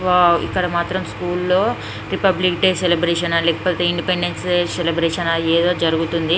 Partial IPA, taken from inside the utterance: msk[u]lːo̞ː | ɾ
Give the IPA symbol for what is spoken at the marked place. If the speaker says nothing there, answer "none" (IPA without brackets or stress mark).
uː